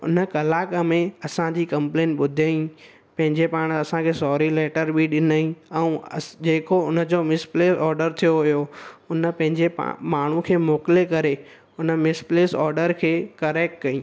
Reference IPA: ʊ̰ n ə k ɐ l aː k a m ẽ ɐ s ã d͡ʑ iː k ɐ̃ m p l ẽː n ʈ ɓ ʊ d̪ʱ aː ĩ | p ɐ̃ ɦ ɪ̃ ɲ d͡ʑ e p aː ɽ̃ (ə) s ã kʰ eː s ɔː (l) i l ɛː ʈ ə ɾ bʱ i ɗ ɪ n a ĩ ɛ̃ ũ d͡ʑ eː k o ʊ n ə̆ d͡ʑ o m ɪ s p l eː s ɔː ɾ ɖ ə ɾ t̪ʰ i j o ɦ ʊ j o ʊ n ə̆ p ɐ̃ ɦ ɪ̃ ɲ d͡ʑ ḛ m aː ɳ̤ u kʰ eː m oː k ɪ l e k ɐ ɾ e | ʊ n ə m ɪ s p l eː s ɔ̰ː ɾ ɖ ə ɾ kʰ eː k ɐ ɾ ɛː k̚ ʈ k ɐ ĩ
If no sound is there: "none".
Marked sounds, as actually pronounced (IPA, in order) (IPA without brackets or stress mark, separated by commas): ɐ, ɾ